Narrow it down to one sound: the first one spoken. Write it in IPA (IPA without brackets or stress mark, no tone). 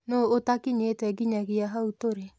n